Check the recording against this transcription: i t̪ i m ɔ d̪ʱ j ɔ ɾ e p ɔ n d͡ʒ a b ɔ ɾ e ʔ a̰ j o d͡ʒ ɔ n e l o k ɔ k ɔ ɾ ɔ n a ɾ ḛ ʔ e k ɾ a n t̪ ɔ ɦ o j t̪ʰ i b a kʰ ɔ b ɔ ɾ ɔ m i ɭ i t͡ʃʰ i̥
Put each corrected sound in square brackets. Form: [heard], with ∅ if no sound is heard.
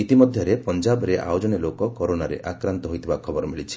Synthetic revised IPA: i t̪ i m ɔ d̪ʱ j ɔ ɾ e p ɔ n d͡ʒ a b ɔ ɾ e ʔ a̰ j o d͡ʒ ɔ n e l o k ɔ k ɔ ɾ [o] n a ɾ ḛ ʔ [a] k ɾ a n t̪ ɔ ɦ o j t̪ʰ i b a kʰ ɔ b ɔ ɾ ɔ m i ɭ i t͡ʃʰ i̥

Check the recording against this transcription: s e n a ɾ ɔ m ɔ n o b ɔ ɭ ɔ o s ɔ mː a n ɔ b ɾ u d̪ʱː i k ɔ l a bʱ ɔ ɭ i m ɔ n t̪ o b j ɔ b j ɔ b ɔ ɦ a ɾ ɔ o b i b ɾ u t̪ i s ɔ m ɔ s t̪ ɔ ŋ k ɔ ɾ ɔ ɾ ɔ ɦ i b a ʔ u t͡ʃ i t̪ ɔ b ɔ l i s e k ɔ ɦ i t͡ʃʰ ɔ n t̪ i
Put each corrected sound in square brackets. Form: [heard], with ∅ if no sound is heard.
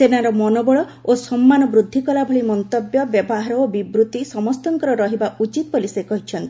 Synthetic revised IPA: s e n a ɾ ɔ m ɔ n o b ɔ ɭ ɔ o s ɔ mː a n ɔ b ɾ u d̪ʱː i k ɔ l a bʱ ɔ ɭ i m ɔ n t̪ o b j ɔ b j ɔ b ɔ ɦ a ɾ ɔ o b i b ɾ u t̪ i s ɔ m ɔ s t̪ ɔ ŋ k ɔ ɾ ɔ ɾ ɔ ɦ i b a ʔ u t͡ʃ i t̪ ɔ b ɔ l i s e k ɔ ɦ i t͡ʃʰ ɔ n t̪ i

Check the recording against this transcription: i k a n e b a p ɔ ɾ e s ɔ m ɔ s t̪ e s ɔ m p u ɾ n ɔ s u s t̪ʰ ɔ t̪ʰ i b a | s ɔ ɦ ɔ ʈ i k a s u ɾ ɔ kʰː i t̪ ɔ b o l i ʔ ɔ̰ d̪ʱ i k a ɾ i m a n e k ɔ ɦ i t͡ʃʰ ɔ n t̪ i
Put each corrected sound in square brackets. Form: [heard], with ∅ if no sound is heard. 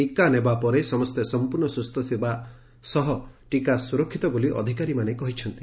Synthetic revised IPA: i k a n e b a p ɔ ɾ e s ɔ m ɔ s t̪ e s ɔ m p u ɾ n ɔ s u s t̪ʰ ɔ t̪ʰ i b a | s ɔ ɦ ɔ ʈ i k a s u ɾ ɔ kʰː i t̪ ɔ b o l i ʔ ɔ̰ d̪ʱ i k a ɾ i m a n e k ɔ ɦ i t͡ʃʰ ɔ n t̪ i

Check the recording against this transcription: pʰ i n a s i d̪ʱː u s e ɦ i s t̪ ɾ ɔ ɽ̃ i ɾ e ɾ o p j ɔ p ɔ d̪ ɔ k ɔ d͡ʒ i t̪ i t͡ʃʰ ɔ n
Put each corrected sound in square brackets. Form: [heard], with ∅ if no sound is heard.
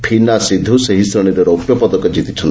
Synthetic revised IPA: pʰ i n a s i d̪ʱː u s e ɦ i s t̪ ɾ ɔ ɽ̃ i ɾ e ɾ o p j ɔ p ɔ d̪ ɔ k ɔ d͡ʒ i t̪ i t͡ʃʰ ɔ n

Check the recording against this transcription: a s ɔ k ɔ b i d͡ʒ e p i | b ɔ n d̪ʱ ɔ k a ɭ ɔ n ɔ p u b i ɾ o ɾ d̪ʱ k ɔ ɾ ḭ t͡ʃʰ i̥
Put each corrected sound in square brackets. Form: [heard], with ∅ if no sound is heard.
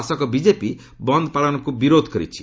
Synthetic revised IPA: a s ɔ k ɔ b i d͡ʒ e p i | b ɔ n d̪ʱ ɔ [p] a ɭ ɔ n ɔ [k] u b i ɾ o [∅] d̪ʱ k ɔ ɾ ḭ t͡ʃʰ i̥

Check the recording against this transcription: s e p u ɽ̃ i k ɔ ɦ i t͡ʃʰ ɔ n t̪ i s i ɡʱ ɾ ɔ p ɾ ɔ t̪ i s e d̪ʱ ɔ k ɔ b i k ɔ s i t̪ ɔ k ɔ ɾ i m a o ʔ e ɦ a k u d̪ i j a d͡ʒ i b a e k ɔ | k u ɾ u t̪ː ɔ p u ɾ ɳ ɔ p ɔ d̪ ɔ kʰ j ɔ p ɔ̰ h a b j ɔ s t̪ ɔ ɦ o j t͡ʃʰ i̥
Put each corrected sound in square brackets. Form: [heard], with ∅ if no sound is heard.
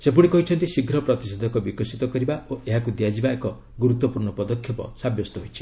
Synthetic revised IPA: s e p u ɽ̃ i k ɔ ɦ i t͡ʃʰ ɔ n t̪ i s i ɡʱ ɾ ɔ p ɾ ɔ t̪ i s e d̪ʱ ɔ k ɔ b i k ɔ s i t̪ ɔ k ɔ ɾ i [b] a o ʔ e ɦ a k u d̪ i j a d͡ʒ i b a e k ɔ | [ɡ] u ɾ u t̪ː ɔ p u ɾ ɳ ɔ p ɔ d̪ ɔ kʰ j ɔ p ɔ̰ [s] a b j ɔ s t̪ ɔ ɦ o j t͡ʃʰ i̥

